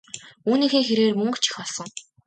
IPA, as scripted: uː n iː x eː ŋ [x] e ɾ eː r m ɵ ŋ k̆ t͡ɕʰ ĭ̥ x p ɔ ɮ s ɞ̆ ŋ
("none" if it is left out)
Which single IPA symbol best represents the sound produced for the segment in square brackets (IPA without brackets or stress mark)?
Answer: x